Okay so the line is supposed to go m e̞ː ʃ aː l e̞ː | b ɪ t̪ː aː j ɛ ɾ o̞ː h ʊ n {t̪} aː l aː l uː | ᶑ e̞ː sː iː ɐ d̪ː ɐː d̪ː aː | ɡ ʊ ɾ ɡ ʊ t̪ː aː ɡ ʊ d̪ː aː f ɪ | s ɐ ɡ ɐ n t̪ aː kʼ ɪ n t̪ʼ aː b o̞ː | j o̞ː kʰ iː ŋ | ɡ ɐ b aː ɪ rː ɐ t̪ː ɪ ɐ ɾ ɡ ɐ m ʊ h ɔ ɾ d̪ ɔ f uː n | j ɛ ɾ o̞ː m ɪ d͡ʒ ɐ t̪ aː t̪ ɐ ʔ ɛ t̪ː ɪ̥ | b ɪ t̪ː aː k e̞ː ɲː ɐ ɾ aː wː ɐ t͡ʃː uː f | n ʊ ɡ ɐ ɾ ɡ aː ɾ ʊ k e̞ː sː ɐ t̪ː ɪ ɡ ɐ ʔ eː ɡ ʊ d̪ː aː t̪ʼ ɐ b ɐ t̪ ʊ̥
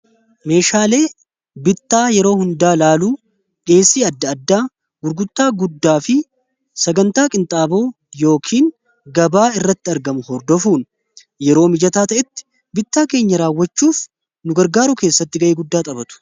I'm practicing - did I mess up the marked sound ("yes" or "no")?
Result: yes